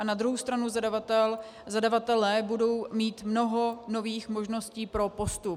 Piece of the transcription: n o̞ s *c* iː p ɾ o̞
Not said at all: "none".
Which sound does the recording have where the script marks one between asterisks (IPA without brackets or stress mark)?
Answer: c